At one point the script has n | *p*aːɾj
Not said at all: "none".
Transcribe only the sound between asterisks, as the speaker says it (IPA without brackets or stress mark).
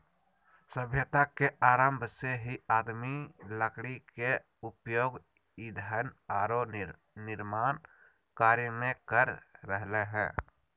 k